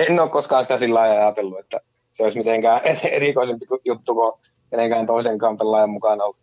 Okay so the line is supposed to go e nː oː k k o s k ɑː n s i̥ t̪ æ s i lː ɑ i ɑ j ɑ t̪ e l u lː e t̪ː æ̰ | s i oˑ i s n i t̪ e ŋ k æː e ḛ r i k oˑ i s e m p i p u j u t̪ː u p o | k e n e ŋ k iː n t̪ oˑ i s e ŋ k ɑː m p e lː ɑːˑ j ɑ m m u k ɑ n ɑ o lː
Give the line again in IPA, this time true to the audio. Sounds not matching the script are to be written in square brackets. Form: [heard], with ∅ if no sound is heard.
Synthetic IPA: e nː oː k k o s k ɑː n s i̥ t̪ æ s i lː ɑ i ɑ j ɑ t̪ e [lː] u [∅] e t̪ː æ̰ | s [e] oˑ i s [m] i t̪ e ŋ k æː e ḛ r i k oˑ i s e m p i [k] u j u t̪ː u [k] o | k e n e ŋ k [æː] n t̪ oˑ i s e ŋ k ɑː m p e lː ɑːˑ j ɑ m m u k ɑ n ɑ o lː